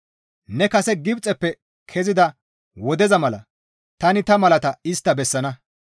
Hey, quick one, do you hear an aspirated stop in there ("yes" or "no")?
yes